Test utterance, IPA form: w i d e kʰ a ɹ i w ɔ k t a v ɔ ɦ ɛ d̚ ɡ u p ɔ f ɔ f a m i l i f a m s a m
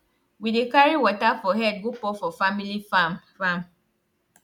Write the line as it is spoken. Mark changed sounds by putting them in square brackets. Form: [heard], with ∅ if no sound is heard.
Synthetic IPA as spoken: w i d e [k] a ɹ i w ɔ [∅] t a [f] ɔ ɦ ɛ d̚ ɡ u p ɔ f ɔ f a m i l i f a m [f] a m